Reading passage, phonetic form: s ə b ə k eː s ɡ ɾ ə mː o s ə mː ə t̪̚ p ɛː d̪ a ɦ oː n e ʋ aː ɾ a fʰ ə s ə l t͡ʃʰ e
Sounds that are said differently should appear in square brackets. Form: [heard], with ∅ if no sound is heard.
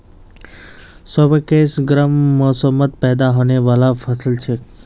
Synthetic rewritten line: s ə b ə k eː s ɡ ɾ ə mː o s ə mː ə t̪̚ p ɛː d̪ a ɦ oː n e ʋ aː [l] a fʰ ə s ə l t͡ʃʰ e